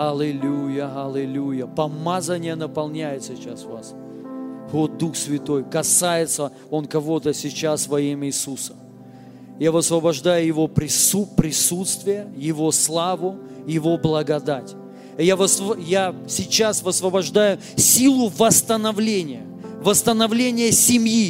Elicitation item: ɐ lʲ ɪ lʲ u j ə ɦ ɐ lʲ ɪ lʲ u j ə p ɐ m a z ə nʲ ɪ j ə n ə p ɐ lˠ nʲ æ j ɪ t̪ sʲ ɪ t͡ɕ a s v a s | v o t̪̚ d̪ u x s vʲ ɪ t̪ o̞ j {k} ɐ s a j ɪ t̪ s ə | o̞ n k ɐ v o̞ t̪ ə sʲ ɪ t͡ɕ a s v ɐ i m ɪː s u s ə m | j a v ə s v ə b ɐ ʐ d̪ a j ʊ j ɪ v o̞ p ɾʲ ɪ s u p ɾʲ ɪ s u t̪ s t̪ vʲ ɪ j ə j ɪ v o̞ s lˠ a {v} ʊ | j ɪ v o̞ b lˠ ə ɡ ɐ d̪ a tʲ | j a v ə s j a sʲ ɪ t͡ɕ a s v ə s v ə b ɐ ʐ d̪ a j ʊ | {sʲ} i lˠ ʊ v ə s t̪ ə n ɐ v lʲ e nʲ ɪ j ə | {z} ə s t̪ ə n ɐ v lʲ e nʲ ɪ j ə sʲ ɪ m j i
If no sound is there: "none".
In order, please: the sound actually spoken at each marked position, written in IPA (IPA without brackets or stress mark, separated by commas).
k, v, sʲ, v